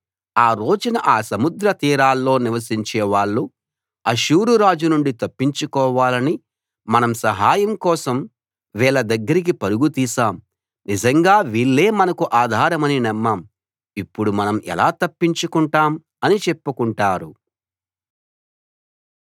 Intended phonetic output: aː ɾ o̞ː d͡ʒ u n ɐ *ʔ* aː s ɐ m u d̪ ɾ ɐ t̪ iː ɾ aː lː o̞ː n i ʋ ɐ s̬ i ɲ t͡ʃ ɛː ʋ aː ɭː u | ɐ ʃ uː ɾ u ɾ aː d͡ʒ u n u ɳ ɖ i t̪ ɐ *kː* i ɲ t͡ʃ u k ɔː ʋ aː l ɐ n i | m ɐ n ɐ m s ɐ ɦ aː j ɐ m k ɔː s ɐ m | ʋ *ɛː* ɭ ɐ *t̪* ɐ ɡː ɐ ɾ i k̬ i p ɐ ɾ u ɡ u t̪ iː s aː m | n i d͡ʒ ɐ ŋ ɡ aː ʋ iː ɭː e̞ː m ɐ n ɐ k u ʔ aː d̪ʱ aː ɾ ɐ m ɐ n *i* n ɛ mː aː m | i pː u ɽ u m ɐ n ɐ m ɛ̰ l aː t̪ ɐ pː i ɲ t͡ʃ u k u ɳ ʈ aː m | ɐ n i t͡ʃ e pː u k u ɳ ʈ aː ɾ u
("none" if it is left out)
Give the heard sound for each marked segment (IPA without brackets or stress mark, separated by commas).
ʔ, pː, ɛː, d̪, i